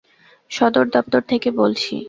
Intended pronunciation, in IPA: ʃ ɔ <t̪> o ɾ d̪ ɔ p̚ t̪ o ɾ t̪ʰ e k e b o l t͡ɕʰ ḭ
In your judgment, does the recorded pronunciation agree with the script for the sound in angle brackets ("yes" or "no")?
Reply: no